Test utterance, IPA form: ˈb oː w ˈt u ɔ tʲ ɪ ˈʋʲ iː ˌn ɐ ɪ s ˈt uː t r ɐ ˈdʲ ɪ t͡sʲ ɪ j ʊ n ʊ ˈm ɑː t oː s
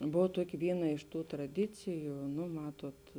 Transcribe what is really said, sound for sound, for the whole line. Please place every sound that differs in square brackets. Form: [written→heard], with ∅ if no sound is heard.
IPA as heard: ˈb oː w ˈt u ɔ [tʲ→kʲ] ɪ ˈʋʲ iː ˌn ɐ ɪ [s→ʃ] ˈt uː t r ɐ ˈdʲ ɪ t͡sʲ ɪ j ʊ n ʊ ˈm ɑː t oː [s→t]